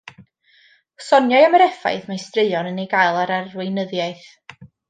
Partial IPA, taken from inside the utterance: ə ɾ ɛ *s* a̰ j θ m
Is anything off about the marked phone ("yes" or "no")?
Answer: yes